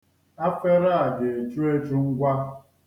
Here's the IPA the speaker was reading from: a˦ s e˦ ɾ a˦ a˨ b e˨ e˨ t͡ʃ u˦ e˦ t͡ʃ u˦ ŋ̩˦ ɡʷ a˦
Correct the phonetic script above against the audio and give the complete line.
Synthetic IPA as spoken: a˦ f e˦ ɾ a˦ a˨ d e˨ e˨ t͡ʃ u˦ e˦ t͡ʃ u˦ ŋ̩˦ ɡʷ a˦